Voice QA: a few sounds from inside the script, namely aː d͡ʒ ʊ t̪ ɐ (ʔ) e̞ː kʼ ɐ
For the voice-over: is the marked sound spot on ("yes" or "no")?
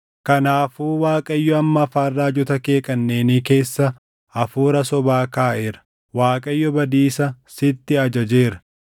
no